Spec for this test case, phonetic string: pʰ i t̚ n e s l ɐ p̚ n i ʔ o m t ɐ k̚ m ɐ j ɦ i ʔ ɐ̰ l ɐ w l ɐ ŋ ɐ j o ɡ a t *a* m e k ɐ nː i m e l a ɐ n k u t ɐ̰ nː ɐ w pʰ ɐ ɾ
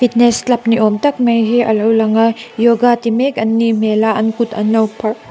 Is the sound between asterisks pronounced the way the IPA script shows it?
no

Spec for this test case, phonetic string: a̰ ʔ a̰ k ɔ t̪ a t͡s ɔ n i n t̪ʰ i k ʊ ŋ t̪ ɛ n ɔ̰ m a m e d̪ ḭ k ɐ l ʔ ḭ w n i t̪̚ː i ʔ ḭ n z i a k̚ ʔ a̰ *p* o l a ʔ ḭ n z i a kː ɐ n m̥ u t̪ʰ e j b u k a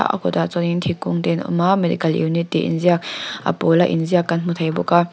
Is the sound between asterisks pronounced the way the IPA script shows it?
yes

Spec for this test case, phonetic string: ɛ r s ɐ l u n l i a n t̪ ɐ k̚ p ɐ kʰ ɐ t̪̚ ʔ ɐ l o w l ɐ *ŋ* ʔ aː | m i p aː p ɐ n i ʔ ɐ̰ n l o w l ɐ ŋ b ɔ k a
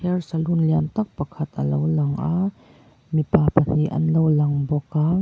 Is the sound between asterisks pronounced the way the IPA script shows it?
yes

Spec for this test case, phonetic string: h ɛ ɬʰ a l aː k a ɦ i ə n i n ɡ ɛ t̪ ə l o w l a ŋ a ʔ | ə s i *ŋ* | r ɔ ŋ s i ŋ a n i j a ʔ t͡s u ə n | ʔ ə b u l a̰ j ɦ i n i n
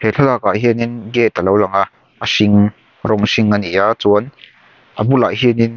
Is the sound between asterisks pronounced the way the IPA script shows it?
yes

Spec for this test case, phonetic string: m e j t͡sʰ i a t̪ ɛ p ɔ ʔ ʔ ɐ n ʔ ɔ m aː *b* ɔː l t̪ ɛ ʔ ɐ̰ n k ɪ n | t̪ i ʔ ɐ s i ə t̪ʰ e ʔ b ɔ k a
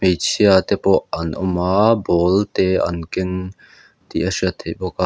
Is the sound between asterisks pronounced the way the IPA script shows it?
yes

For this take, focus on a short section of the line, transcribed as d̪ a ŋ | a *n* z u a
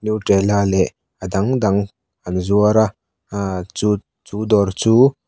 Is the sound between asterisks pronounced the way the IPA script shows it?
yes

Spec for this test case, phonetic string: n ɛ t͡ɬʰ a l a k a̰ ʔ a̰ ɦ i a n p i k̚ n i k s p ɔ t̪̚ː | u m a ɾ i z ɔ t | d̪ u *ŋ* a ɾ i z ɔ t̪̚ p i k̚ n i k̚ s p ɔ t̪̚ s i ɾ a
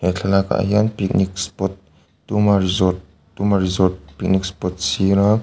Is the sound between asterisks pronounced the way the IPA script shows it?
no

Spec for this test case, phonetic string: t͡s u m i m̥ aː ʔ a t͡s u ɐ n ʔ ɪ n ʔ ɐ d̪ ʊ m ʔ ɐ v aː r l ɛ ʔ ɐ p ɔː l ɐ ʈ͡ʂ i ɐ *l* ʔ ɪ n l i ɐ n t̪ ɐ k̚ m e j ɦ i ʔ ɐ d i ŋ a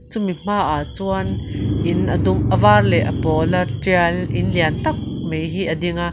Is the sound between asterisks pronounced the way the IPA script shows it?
yes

